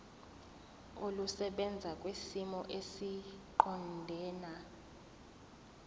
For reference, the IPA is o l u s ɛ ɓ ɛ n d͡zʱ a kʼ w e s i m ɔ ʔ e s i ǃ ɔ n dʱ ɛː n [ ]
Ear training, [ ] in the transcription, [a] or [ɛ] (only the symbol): a